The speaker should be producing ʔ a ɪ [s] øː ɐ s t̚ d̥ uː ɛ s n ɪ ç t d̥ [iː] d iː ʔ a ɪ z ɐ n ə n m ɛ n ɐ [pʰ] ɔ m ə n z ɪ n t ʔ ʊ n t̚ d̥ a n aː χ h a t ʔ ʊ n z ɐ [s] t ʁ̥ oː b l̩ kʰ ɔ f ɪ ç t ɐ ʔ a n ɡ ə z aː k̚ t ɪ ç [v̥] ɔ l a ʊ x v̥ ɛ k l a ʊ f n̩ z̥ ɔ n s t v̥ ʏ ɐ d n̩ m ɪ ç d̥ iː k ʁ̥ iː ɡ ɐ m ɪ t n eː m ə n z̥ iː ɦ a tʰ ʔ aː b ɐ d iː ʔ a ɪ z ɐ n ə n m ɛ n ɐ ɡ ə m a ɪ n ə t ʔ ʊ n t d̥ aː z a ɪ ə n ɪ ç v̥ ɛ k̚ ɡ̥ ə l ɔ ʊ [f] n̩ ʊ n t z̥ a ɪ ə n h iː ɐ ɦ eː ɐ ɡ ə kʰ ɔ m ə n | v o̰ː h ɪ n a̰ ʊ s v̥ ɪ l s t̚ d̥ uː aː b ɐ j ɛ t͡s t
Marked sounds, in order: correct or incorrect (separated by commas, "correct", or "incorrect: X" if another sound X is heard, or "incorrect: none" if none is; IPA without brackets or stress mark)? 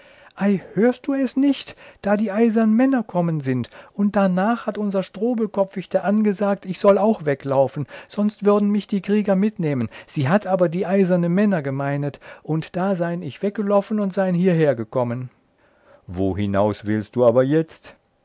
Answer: incorrect: h, incorrect: aː, incorrect: kʰ, incorrect: ʃ, incorrect: z̥, correct